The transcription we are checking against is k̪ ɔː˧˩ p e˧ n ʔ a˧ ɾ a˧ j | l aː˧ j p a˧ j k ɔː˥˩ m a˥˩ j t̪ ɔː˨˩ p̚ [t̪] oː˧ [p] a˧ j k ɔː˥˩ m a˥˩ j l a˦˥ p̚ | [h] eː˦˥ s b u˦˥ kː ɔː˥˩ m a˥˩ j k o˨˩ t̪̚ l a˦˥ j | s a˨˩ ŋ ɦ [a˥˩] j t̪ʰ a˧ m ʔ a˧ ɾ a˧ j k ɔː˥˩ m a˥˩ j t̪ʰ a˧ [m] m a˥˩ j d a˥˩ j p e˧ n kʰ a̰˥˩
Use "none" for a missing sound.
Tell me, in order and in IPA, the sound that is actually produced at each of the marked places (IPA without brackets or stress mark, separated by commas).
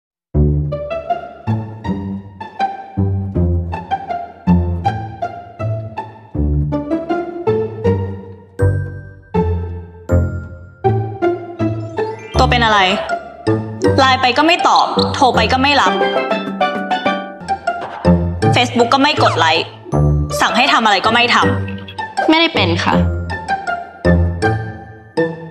t̪ʰ, p, f, a˥˩, m